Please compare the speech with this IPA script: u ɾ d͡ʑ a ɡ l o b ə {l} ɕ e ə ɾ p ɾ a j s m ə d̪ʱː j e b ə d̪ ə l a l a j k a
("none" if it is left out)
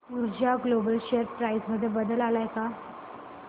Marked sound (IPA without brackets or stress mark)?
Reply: l